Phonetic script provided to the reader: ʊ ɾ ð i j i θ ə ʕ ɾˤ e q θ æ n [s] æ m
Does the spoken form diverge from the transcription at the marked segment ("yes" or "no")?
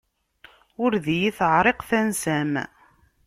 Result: no